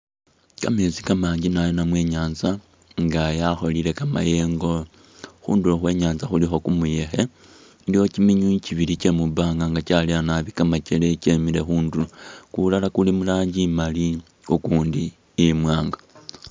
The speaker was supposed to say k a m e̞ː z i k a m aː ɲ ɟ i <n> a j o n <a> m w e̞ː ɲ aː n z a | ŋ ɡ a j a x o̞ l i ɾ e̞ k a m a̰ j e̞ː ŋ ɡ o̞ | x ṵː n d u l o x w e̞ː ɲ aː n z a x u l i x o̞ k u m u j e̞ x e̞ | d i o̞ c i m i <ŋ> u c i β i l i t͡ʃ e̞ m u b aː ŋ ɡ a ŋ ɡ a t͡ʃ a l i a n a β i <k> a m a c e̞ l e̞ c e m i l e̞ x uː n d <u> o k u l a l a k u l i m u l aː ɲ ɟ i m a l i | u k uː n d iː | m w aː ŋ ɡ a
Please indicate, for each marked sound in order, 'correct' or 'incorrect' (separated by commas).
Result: correct, correct, incorrect, correct, correct